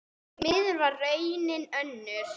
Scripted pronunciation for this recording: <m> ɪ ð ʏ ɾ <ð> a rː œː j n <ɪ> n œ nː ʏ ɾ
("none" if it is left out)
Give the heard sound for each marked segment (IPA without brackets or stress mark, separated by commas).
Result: m, v, ɪ